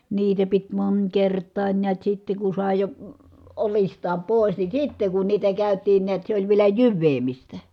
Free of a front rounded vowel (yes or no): no